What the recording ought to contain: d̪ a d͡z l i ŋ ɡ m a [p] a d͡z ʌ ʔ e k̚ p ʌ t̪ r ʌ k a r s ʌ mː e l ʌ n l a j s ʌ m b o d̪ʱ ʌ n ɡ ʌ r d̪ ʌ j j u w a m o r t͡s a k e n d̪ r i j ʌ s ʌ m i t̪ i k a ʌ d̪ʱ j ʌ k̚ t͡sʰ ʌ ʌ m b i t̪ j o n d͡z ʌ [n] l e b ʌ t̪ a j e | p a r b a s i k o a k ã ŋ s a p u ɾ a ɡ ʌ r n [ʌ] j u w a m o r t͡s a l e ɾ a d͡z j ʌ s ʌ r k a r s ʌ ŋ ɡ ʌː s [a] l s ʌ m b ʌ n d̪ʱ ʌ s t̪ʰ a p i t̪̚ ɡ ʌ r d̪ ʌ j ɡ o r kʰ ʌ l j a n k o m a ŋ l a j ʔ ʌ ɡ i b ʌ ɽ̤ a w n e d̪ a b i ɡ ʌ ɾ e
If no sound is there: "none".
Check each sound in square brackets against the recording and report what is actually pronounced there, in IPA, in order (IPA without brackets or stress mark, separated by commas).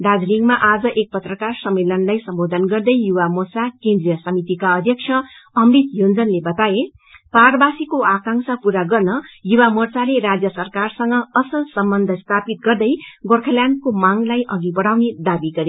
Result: ʔ, n, ʌ, ʌ